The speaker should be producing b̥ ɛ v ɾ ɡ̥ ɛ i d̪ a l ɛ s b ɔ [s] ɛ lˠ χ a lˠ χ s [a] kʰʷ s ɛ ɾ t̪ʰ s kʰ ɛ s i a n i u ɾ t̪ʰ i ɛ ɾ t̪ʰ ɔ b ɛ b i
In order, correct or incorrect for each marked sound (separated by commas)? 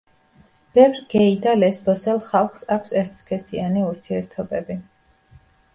correct, correct